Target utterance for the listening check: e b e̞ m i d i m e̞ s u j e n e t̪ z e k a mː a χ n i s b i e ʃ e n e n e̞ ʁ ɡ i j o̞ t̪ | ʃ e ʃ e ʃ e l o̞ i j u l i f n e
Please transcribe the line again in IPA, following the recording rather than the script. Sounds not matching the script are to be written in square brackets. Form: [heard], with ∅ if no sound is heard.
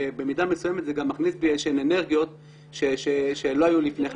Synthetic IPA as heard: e b e̞ m i d [a] m e̞ s u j e [m] e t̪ z e [ɡ] a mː a χ n i s b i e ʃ e n e n e̞ ʁ ɡ i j o̞ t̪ | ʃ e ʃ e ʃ e l o̞ [a] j u l i f n e